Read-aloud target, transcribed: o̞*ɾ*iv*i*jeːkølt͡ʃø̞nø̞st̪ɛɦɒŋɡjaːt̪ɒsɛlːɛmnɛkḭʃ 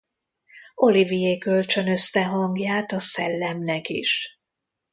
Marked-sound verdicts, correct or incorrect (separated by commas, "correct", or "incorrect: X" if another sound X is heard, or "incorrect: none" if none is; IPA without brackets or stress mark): incorrect: l, correct